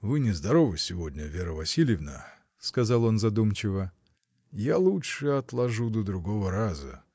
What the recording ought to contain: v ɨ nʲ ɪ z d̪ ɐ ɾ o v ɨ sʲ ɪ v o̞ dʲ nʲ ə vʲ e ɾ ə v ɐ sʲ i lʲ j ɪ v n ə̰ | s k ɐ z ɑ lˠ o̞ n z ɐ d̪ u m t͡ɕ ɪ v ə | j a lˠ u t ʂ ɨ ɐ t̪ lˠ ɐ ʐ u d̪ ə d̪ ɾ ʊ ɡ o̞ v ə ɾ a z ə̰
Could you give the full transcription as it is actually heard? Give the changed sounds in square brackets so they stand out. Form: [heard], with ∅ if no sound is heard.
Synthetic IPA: v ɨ nʲ ɪ z d̪ ɐ ɾ o v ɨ sʲ ɪ v o̞ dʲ nʲ ə vʲ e ɾ ə v ɐ sʲ i lʲ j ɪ v n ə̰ | s k ɐ z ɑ lˠ o̞ n z ɐ d̪ u m t͡ɕ ɪ v ə | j a lˠ u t ʂ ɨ ɐ t̪ lˠ ɐ ʐ u d̪ ə d̪ ɾ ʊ ɡ o̞ v ə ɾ a z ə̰